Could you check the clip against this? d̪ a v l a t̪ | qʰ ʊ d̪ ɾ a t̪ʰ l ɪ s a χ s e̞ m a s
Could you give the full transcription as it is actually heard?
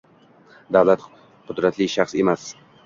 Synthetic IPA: d̪ a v l a t̪ | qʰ ʊ d̪ ɾ a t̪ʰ l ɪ ʃ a χ s e̞ m a s